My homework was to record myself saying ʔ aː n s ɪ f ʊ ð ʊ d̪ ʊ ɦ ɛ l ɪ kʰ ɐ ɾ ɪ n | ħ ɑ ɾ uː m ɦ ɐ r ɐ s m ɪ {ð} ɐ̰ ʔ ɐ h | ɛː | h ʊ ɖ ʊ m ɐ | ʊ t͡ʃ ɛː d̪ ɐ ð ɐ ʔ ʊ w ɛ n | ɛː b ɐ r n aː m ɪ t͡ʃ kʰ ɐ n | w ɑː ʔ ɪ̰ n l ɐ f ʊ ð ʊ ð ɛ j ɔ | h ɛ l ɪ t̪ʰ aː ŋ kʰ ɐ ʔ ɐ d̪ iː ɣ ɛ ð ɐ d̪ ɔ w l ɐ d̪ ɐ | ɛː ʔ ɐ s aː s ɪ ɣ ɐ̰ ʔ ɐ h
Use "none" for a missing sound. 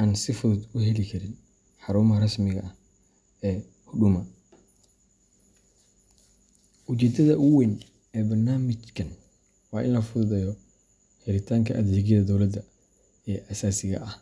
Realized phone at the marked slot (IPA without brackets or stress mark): ɣ